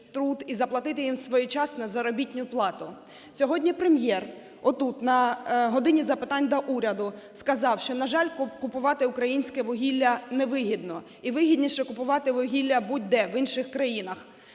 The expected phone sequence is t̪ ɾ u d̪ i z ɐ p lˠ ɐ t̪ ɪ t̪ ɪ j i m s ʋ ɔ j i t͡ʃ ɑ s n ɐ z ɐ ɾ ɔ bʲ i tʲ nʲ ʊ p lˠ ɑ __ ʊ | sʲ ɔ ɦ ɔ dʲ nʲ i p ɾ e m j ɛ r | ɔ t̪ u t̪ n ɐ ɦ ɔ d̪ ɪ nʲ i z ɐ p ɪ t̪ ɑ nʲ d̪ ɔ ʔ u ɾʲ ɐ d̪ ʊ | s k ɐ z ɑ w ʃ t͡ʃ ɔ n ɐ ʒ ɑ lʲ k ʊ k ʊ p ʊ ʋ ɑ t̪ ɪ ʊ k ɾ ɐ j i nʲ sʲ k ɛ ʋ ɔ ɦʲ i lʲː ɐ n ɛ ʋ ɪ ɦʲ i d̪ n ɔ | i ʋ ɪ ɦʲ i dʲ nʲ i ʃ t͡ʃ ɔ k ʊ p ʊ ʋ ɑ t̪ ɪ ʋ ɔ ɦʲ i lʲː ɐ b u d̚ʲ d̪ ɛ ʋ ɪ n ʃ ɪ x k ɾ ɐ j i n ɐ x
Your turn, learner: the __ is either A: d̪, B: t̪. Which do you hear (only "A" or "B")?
B